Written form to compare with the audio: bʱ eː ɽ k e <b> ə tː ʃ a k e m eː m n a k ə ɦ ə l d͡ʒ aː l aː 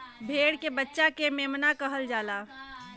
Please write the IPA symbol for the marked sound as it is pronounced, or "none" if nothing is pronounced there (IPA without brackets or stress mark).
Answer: b